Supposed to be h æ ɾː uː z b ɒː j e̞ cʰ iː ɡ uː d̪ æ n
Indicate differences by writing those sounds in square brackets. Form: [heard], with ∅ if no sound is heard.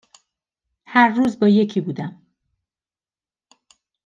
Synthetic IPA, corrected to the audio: h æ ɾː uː z b ɒː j e̞ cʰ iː [b] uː d̪ æ [m]